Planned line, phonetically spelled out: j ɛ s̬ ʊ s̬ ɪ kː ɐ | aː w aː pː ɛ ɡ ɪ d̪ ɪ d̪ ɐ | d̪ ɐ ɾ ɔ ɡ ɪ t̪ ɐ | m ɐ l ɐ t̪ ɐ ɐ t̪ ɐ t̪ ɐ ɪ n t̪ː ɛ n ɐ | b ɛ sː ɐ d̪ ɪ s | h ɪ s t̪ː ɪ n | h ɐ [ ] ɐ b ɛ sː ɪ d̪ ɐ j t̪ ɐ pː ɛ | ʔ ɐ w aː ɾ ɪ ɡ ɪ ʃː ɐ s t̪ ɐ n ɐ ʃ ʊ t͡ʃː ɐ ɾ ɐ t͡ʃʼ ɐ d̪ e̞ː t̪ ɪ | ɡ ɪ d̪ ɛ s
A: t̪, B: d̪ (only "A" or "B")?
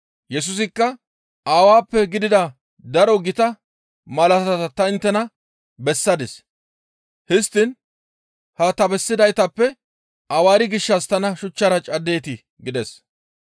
A